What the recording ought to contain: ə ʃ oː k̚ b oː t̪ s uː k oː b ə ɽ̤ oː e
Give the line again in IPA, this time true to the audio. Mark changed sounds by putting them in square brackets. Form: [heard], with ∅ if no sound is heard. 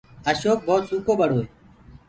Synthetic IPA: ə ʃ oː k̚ b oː t̪ s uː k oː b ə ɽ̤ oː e